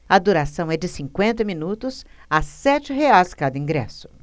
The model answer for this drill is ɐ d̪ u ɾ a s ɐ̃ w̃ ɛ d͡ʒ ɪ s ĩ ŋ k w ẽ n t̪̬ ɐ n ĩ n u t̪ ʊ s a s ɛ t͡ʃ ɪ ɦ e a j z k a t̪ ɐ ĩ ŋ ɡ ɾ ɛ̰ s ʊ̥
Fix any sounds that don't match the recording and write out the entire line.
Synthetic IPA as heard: ɐ d̪ u ɾ a s ɐ̃ w̃ ɛ d͡ʒ ɪ s ĩ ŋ k w ẽ n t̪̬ ɐ m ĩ n u t̪ ʊ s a s ɛ t͡ʃ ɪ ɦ e a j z k a d̪ ɐ ĩ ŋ ɡ ɾ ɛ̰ s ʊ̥